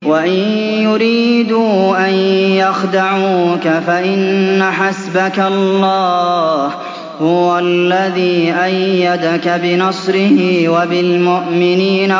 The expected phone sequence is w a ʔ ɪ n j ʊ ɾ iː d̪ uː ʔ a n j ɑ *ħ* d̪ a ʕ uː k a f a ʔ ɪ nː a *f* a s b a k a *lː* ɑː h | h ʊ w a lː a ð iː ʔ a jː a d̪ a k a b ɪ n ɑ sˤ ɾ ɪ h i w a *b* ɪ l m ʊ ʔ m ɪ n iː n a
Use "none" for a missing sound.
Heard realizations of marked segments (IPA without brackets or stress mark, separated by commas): x, ħ, lː, b